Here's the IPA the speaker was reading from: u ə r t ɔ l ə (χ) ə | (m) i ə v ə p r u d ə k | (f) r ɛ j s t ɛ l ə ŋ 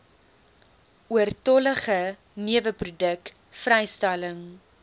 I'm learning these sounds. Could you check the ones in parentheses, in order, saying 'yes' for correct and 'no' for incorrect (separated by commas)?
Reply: yes, no, yes